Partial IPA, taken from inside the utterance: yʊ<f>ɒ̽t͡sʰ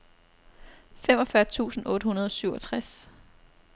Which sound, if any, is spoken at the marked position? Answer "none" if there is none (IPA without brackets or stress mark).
none